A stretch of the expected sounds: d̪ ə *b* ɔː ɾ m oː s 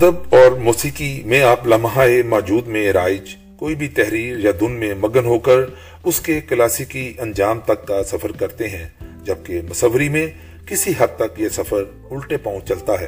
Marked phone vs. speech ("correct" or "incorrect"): correct